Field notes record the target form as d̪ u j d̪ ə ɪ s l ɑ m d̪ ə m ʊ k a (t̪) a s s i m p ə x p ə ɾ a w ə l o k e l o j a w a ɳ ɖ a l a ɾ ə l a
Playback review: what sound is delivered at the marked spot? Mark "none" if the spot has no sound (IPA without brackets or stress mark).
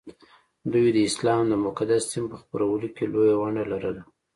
d̪